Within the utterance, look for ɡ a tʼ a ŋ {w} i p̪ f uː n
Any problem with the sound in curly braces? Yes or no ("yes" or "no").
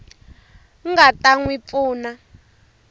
no